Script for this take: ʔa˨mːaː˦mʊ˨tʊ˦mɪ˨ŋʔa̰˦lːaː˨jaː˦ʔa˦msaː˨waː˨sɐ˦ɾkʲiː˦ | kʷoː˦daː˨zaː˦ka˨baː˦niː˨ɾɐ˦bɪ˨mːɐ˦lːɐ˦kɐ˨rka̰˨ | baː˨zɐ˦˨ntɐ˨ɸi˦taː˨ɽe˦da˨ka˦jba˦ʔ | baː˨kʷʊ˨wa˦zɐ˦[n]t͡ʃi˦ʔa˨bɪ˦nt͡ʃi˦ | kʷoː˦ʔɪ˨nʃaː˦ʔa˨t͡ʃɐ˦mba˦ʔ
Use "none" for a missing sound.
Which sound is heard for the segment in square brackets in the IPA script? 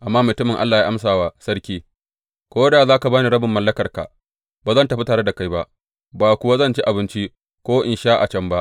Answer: n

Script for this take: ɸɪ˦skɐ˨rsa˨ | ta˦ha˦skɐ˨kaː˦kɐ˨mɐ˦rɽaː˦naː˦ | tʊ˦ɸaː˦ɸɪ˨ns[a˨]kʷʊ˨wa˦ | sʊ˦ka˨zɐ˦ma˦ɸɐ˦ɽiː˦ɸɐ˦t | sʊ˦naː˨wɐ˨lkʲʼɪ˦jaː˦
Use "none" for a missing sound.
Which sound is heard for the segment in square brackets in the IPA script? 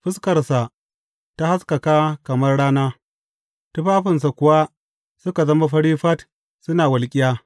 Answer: a˨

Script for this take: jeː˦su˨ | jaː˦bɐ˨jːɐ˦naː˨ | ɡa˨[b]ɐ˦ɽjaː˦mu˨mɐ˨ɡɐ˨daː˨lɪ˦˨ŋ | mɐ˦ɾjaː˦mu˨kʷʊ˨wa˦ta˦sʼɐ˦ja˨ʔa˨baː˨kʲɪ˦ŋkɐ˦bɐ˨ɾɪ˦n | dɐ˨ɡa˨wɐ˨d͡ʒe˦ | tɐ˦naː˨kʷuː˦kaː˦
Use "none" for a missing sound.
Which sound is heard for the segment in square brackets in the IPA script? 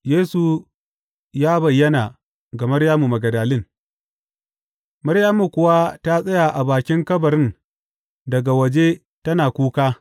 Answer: m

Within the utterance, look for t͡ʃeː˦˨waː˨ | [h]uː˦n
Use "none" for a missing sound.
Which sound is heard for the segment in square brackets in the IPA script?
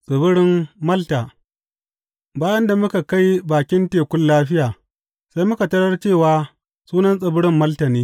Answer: s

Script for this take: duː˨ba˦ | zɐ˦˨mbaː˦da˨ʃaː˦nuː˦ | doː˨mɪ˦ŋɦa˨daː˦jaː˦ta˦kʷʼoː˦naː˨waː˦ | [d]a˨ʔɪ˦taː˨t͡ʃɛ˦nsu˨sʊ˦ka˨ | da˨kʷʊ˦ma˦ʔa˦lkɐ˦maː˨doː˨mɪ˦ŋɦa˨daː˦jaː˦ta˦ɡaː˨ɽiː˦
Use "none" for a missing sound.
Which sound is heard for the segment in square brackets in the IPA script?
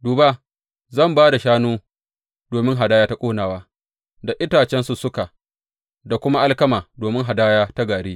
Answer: d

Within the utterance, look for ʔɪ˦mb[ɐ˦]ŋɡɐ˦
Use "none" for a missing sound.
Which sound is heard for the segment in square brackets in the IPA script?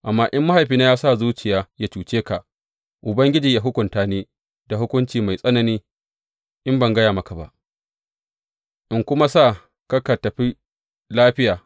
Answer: ɐ˨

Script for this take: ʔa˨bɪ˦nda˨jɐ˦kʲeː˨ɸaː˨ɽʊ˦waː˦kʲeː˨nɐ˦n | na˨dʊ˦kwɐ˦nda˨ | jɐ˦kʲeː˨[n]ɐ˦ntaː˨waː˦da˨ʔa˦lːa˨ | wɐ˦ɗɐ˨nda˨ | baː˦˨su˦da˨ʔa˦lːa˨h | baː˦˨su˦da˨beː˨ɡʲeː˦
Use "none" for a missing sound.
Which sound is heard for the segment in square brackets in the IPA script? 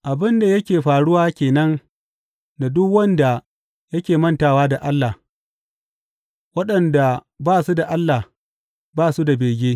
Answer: m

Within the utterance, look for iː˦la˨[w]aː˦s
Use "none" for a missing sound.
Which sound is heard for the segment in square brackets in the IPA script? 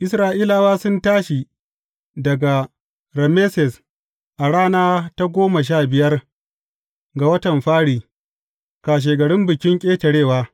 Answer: w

